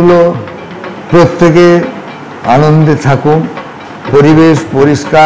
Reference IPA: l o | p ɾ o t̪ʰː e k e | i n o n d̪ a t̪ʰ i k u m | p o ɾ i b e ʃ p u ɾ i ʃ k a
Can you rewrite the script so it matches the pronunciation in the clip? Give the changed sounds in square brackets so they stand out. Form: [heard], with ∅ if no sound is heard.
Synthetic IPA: l o | p ɾ o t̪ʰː e k e | [a] n o n d̪ [e] t̪ʰ [a] k u m | p o ɾ i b e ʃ p [o] ɾ i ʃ k a